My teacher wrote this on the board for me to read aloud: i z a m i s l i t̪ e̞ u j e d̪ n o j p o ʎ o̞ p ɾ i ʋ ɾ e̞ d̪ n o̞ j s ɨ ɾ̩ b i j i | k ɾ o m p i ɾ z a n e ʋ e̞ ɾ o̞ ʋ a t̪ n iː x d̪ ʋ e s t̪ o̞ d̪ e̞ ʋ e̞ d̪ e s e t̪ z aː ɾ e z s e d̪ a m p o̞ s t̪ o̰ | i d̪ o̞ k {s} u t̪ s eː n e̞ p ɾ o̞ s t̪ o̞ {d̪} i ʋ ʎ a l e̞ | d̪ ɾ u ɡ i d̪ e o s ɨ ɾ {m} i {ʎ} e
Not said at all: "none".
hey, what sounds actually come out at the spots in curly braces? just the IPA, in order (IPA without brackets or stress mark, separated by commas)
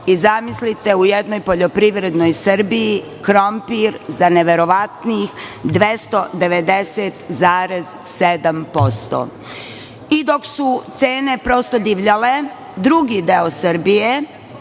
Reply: s, d̪, b, j